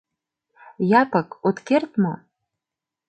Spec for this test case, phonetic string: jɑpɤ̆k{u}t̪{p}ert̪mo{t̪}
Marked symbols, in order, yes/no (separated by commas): no, no, no